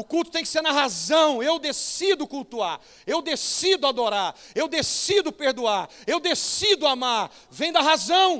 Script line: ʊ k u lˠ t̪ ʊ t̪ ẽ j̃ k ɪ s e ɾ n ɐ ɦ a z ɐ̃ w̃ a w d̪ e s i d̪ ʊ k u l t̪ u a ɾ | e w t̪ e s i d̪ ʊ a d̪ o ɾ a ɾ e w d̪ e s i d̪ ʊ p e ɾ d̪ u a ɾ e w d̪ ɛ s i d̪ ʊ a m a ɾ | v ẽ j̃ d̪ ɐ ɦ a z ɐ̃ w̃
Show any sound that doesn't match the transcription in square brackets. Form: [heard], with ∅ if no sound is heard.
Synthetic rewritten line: ʊ k u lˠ t̪ ʊ t̪ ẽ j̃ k ɪ s e ɾ n ɐ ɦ a z ɐ̃ w̃ [e] w d̪ e s i d̪ ʊ k u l t̪ u a ɾ | e w [d̪] e s i d̪ ʊ a d̪ o ɾ a ɾ e w d̪ e s i d̪ ʊ p e ɾ d̪ u a ɾ e w d̪ [e] s i d̪ ʊ a m a ɾ | v ẽ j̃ d̪ ɐ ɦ a z ɐ̃ w̃